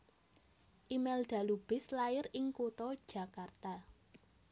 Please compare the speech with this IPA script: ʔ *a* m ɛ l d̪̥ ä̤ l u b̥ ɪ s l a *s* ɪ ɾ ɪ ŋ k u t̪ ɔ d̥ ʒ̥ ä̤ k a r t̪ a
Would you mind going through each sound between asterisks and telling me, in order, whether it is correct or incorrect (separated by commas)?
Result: incorrect, incorrect